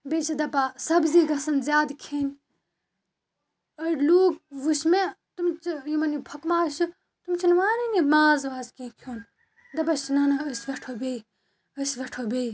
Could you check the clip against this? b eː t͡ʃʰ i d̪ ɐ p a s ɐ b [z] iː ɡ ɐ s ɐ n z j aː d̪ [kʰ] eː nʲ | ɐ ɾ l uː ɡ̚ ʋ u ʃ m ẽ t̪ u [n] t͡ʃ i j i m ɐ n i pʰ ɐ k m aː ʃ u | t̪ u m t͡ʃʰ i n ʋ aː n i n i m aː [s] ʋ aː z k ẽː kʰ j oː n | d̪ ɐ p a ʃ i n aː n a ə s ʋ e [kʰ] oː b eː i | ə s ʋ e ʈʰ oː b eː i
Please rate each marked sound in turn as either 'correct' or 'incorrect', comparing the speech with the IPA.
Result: correct, correct, incorrect, incorrect, incorrect

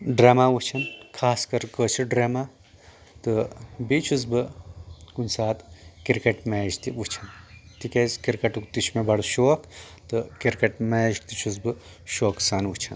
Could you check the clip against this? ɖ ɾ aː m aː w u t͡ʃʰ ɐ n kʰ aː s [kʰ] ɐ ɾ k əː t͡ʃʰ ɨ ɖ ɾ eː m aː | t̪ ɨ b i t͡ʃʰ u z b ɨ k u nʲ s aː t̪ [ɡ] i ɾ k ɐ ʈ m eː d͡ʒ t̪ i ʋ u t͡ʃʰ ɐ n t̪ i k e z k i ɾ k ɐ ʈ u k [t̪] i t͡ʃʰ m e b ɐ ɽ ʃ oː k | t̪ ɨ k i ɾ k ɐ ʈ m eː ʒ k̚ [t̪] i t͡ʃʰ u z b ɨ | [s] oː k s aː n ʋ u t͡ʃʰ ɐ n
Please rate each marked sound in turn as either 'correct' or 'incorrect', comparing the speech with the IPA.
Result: incorrect, incorrect, correct, correct, incorrect

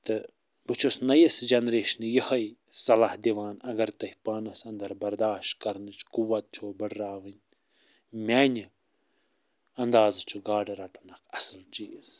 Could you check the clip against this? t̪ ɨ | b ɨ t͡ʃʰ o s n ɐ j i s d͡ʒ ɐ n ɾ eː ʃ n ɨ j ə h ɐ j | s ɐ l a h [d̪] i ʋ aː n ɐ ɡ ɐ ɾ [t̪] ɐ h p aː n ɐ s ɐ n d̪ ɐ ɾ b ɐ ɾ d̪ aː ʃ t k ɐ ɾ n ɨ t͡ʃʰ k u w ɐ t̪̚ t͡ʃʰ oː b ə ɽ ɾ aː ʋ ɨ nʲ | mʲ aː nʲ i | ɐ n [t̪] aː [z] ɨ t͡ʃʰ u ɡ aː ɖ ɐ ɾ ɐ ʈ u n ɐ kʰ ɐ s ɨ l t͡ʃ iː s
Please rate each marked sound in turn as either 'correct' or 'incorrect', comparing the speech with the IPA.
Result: correct, correct, incorrect, correct

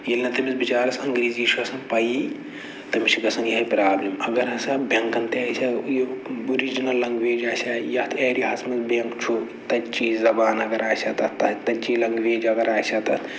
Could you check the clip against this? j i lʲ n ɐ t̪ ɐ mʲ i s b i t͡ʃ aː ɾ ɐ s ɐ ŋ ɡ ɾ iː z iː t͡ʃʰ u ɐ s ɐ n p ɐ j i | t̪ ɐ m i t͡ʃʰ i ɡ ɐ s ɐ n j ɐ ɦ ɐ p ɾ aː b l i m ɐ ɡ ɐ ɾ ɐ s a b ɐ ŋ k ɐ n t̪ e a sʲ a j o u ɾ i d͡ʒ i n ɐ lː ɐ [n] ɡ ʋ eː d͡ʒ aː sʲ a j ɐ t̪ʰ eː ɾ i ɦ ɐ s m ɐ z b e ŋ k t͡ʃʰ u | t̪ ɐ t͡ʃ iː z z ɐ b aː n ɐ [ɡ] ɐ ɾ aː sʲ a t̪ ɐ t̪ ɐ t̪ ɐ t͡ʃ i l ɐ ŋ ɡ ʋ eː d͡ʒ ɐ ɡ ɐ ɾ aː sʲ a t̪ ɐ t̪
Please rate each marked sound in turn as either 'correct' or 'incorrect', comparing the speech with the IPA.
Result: incorrect, correct

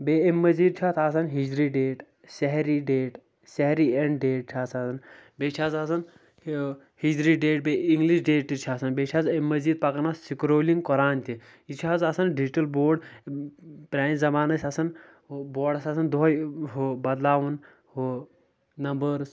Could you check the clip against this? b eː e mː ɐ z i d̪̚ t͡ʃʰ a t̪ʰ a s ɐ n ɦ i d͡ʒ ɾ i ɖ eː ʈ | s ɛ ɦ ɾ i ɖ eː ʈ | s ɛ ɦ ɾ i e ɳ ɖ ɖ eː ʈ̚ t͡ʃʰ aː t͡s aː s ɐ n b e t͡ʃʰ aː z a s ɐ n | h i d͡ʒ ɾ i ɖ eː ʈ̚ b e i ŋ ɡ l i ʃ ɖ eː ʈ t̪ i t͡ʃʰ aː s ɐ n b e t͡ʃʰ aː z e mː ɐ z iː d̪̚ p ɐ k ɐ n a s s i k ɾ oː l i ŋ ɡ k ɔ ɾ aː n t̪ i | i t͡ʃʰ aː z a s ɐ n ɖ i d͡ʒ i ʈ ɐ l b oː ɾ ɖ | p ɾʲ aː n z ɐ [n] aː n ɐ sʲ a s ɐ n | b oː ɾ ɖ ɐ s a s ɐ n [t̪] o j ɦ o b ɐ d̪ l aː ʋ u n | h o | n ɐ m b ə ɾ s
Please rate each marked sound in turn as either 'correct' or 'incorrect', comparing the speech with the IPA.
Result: incorrect, incorrect

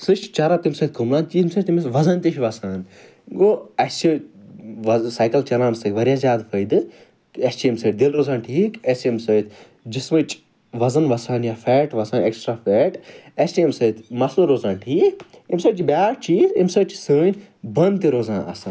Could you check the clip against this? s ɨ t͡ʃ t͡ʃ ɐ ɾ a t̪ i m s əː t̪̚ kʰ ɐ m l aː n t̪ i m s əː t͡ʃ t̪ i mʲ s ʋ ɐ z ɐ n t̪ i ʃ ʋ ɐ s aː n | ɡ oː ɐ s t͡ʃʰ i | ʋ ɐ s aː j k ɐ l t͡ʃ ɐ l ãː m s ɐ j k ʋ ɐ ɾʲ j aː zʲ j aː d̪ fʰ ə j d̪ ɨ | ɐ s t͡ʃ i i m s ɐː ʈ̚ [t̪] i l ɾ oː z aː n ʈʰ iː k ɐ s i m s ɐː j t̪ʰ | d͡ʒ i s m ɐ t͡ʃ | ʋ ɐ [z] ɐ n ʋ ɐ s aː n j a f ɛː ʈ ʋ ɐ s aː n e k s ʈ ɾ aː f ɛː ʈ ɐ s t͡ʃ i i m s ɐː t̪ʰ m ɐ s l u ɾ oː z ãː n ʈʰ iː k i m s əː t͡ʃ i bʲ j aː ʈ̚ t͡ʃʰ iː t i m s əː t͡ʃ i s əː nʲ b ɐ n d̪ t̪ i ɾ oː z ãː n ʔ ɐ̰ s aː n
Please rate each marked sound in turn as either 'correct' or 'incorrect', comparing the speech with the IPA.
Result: incorrect, correct

